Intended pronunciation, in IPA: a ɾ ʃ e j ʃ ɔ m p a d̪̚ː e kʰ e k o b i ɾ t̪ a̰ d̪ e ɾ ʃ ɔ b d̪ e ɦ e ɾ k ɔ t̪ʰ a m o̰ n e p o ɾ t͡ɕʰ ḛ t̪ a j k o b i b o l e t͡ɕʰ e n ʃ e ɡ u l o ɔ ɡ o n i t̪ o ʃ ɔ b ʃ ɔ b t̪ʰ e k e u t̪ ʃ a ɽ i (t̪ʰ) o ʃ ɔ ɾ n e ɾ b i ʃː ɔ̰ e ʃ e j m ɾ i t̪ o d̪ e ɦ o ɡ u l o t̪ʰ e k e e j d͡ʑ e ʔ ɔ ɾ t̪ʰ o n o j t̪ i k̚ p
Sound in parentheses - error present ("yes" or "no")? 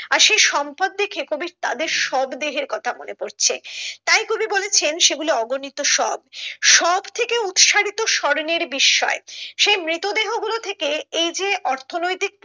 yes